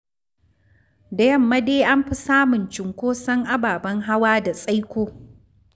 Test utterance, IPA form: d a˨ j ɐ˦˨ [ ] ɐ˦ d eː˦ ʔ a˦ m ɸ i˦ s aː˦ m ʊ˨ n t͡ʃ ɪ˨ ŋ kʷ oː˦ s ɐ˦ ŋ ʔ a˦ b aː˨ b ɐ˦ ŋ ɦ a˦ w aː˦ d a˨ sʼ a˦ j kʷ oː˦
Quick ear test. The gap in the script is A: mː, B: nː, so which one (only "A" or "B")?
A